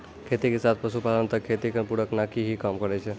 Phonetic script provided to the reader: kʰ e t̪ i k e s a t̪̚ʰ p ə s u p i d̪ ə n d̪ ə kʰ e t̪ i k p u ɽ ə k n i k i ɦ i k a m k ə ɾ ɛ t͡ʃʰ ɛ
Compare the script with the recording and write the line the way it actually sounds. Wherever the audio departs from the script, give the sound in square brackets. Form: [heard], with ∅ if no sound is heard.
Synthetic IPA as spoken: kʰ e t̪ i k e s a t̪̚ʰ p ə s u p [a] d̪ ə n [t̪] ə kʰ e t̪ i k p u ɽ ə k n [a] k i ɦ i k a m k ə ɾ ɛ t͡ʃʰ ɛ